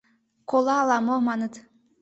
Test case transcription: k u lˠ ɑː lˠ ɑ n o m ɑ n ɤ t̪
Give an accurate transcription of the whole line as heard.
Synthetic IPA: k o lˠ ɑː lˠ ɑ m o m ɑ n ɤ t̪